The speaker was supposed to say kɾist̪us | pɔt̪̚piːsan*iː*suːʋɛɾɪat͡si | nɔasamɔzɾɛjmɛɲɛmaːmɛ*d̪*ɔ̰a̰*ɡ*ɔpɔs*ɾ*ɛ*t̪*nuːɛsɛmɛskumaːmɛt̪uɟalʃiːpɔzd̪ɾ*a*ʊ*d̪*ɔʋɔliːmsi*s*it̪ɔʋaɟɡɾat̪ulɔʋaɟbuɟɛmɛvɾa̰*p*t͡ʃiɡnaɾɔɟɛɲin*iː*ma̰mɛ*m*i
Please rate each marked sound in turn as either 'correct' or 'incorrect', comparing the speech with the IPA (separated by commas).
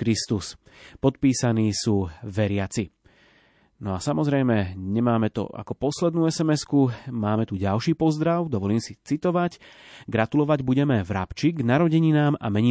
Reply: correct, incorrect, incorrect, incorrect, incorrect, correct, correct, incorrect, correct, incorrect, incorrect